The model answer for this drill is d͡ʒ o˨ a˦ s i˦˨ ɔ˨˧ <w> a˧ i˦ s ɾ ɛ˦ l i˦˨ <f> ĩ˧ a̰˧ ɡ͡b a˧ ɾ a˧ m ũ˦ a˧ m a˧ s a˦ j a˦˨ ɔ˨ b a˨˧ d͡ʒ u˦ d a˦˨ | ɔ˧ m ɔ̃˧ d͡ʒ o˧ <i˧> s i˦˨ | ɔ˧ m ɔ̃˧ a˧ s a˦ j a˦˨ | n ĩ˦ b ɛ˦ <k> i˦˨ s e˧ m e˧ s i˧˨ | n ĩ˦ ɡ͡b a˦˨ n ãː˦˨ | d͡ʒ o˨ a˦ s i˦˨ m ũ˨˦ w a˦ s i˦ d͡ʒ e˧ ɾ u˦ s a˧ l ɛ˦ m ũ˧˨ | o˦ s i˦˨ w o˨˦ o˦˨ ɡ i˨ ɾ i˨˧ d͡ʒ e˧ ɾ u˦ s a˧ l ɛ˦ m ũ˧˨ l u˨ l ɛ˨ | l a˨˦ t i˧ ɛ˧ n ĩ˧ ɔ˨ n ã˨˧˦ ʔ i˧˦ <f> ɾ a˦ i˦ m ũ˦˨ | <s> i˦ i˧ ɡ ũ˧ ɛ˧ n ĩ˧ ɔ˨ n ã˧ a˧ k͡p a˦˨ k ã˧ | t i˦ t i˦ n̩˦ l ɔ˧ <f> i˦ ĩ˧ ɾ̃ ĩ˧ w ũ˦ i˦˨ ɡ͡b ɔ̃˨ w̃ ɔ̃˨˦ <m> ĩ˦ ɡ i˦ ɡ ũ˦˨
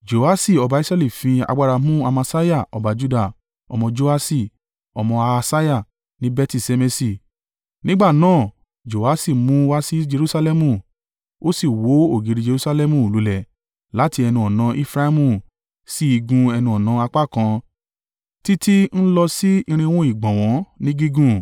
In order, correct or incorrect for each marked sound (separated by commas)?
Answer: incorrect, correct, incorrect, incorrect, correct, correct, incorrect, incorrect